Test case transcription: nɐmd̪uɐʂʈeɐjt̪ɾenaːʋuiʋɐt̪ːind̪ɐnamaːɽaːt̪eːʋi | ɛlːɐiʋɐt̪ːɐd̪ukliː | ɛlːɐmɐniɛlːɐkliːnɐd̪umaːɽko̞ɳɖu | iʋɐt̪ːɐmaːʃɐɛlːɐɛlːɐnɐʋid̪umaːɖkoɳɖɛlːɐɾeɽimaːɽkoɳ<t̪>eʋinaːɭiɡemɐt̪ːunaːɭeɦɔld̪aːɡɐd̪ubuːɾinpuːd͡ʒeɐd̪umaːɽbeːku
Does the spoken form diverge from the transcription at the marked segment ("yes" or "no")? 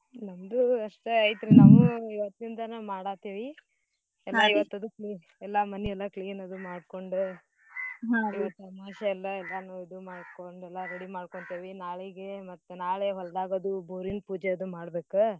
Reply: no